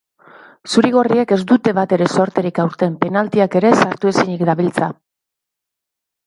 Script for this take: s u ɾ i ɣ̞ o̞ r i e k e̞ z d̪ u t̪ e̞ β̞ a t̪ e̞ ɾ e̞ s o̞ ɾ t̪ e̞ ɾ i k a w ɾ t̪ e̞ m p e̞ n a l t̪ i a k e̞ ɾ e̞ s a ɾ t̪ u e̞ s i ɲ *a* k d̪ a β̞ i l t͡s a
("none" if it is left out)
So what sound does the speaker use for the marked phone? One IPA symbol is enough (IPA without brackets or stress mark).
i